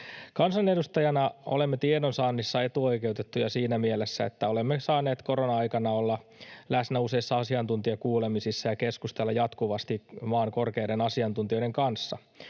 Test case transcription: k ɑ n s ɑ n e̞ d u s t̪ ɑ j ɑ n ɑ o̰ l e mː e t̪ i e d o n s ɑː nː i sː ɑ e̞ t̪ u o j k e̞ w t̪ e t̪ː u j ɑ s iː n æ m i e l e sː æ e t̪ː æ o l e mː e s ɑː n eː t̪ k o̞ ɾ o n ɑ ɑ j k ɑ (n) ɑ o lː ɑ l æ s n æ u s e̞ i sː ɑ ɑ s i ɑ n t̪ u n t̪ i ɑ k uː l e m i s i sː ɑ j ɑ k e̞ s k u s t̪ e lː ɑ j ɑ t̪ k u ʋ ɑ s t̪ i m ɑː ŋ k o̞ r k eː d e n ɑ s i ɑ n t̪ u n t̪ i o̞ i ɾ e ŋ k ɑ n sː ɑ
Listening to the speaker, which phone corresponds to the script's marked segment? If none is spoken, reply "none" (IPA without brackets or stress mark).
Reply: n